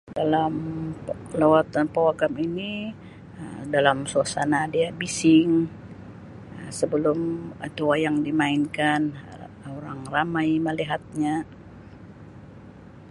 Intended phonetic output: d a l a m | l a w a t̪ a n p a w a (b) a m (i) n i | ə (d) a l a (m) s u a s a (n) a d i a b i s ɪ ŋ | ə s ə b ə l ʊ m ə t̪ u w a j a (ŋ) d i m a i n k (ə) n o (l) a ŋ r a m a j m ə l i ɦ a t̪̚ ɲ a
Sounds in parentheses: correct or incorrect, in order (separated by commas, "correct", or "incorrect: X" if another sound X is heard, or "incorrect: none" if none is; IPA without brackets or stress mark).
incorrect: ɡ, correct, correct, correct, correct, correct, incorrect: a, incorrect: ɾ